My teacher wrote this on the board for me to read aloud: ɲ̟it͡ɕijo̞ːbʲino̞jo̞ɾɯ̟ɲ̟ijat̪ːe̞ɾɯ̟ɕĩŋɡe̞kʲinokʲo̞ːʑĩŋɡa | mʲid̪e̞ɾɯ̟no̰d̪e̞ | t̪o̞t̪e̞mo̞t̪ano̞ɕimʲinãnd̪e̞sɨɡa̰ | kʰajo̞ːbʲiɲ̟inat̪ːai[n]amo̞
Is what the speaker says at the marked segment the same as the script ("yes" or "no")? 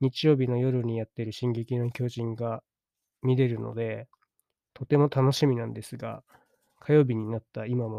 no